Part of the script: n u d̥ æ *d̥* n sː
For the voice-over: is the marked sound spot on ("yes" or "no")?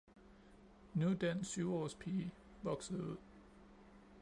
no